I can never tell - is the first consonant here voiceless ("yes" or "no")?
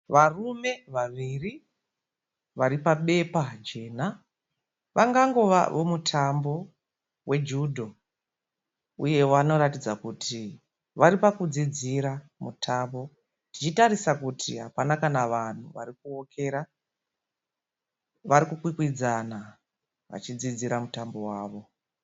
no